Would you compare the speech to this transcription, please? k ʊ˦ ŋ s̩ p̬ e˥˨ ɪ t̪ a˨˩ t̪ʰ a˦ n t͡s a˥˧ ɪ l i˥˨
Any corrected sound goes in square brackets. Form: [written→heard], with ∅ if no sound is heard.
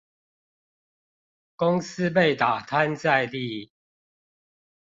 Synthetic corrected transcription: k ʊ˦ ŋ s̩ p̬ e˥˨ ɪ t̪ a˨˩ t̪ʰ a˦ n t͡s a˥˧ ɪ l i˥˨